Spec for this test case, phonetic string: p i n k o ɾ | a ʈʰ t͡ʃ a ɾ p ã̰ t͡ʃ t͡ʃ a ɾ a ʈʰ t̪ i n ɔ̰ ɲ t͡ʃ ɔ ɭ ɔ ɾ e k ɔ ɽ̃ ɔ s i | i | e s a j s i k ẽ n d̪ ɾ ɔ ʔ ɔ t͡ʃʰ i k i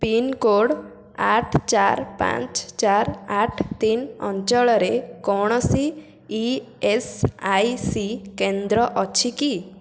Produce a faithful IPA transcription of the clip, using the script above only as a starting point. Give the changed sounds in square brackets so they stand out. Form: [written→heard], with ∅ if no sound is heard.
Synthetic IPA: p i n k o [ɾ→ɽ] | a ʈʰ t͡ʃ a ɾ p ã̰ t͡ʃ t͡ʃ a ɾ a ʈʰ t̪ i n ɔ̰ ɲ t͡ʃ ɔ ɭ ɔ ɾ e k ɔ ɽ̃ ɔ s i | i | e s a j s i k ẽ n d̪ ɾ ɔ ʔ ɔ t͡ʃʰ i k i